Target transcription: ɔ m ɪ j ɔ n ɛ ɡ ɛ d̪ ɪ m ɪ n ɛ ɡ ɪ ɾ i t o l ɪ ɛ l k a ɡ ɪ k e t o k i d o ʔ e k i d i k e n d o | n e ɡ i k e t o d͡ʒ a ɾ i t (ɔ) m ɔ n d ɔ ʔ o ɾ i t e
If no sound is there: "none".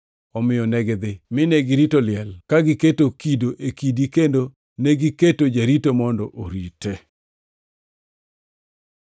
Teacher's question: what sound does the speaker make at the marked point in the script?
o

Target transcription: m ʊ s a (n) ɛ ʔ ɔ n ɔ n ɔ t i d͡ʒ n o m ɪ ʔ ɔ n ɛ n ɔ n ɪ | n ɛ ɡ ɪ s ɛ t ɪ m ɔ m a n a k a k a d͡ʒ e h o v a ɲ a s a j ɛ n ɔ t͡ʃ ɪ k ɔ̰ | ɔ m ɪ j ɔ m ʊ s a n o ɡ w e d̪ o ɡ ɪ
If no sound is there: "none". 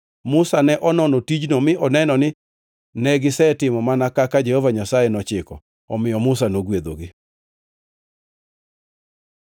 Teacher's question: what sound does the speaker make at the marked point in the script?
n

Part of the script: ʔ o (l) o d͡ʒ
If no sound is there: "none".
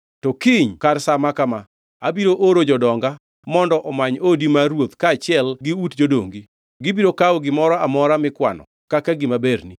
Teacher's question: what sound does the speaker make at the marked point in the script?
ɾ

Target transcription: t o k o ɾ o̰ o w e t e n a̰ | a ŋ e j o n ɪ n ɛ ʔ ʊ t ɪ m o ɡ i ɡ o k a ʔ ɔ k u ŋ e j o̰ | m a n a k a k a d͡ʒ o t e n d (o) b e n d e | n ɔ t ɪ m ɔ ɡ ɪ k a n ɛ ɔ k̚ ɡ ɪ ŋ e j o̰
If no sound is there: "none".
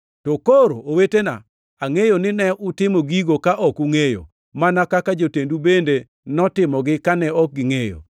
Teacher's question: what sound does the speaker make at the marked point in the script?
u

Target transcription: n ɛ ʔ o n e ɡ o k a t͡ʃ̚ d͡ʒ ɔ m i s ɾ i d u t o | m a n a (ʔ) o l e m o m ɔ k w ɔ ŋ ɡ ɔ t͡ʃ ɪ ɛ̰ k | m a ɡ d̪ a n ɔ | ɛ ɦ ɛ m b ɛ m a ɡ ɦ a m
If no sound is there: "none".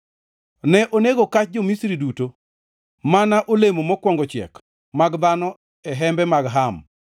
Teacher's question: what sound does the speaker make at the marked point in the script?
ʔ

